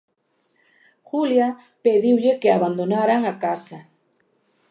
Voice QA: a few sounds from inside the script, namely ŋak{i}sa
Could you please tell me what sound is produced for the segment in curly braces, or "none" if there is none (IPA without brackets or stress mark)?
a